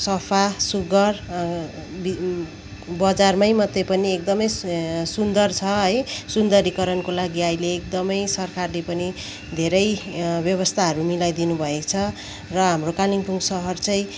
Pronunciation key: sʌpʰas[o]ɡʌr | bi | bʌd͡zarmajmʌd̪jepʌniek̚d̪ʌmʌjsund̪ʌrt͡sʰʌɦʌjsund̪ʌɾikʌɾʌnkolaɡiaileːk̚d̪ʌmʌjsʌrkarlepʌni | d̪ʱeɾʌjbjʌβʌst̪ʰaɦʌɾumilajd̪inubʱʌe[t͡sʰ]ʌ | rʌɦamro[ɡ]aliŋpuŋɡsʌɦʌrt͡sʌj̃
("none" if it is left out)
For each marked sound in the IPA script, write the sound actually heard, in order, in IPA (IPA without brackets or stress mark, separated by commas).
u, t͡sʰ, k